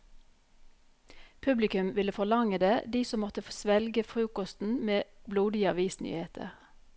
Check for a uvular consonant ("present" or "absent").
present